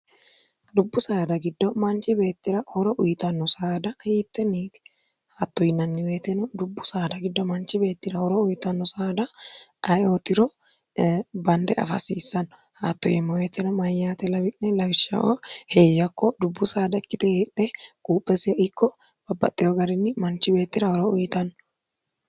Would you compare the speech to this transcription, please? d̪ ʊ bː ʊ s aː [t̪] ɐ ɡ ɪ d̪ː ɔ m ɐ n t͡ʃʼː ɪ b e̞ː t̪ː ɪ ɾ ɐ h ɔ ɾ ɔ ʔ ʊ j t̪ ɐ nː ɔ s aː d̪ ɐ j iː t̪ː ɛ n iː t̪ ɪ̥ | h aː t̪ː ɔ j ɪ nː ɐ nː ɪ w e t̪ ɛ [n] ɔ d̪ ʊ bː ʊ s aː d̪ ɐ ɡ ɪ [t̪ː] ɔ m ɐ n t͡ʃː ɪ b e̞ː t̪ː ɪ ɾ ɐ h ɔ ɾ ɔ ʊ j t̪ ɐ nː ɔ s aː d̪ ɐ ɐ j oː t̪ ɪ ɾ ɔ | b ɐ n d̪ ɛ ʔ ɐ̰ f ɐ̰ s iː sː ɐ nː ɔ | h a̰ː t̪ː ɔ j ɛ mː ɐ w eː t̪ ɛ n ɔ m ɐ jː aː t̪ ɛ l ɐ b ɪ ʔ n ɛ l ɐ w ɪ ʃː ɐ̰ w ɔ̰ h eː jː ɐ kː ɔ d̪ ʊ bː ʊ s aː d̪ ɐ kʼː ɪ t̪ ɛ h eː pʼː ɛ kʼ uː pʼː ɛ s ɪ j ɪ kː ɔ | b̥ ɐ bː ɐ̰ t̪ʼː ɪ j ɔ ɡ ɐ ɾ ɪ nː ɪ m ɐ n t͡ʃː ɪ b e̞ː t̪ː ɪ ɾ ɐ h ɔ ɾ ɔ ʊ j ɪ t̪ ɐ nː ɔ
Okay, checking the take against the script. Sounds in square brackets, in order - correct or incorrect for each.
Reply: incorrect: d̪, correct, incorrect: d̪ː

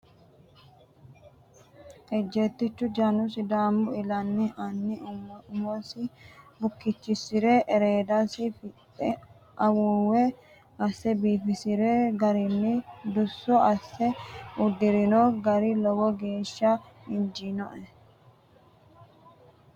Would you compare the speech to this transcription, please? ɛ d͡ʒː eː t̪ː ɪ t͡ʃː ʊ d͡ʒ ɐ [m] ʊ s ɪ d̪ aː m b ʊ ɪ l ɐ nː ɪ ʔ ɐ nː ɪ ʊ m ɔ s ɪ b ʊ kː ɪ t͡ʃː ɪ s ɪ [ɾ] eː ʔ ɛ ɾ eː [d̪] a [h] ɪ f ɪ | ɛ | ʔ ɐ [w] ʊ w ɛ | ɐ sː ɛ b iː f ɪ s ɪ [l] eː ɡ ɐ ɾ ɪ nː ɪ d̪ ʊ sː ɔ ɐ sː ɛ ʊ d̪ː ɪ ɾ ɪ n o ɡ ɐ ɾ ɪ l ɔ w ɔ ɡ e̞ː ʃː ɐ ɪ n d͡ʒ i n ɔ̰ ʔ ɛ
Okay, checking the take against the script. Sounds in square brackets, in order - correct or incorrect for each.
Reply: incorrect: n, correct, correct, incorrect: s, correct, incorrect: ɾ

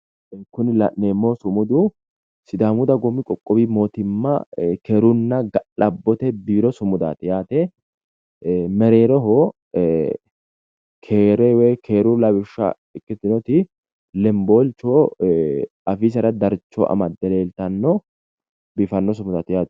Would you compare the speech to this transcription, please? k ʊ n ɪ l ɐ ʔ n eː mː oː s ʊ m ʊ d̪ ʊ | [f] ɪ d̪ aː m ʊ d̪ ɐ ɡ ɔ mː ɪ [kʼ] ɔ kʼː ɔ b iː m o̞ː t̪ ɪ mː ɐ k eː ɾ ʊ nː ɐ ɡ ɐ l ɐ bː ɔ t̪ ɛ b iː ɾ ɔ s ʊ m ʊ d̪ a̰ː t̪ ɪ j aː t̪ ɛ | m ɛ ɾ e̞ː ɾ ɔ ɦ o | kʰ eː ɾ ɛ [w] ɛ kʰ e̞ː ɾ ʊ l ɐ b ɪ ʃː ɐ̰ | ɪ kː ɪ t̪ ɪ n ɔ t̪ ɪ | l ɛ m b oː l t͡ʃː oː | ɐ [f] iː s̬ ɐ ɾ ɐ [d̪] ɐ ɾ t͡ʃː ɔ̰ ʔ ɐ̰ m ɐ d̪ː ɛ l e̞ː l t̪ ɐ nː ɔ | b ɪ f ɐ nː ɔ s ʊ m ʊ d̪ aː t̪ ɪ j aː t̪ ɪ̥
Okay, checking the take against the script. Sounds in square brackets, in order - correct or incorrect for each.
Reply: incorrect: s, correct, correct, correct, correct

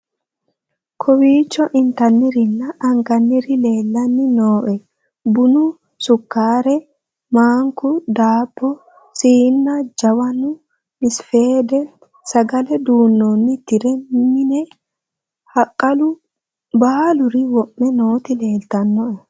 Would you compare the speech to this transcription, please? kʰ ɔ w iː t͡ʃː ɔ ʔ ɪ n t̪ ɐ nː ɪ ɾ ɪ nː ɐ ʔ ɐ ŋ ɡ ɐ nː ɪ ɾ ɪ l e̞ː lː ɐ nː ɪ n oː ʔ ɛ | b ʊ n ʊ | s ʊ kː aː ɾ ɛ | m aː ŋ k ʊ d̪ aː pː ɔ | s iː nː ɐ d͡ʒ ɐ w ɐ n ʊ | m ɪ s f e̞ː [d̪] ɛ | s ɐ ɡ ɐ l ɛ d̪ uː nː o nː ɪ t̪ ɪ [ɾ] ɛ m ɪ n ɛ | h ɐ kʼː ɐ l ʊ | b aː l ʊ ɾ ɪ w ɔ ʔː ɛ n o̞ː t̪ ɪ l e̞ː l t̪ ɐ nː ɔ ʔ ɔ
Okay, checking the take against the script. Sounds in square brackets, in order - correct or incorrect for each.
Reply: correct, correct

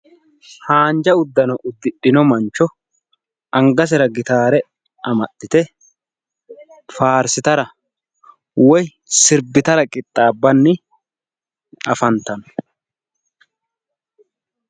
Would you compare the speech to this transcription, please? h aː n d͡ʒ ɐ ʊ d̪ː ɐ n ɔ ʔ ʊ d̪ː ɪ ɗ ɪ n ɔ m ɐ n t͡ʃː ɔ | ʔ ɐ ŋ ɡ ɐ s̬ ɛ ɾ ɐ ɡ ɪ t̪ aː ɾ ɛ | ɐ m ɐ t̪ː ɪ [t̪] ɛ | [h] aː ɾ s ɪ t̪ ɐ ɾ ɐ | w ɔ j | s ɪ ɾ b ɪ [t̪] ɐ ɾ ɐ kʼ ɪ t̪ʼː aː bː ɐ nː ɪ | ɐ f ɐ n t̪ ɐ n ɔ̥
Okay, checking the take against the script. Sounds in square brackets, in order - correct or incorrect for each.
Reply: correct, incorrect: f, correct

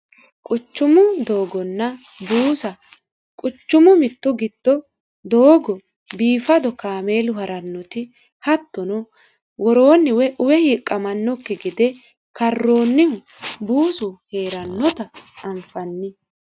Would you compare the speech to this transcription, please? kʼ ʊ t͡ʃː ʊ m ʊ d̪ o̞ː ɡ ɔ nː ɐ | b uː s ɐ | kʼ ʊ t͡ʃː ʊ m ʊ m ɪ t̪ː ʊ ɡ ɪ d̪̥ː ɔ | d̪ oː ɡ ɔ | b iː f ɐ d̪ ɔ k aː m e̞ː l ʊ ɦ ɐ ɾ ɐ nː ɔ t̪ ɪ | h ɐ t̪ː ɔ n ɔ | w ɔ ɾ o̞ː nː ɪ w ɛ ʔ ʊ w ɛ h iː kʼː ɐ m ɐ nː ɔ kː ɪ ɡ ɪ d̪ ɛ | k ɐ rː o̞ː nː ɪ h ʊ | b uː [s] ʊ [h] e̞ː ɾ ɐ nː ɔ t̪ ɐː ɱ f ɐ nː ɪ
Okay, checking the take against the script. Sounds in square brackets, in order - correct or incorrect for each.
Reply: correct, correct

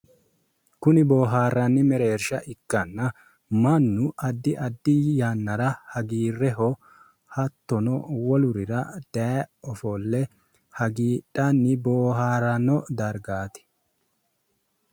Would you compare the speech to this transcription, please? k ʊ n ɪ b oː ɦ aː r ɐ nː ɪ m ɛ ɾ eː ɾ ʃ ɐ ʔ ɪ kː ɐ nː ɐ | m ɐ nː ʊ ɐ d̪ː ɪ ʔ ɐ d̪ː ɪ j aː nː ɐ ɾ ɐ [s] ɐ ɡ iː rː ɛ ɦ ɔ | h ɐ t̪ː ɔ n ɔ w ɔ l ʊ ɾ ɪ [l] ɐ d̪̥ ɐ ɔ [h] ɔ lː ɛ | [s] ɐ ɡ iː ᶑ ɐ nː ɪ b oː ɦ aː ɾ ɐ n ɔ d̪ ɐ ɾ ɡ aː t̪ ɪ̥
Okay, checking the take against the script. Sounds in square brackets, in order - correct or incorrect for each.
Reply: incorrect: h, incorrect: ɾ, incorrect: f, incorrect: h

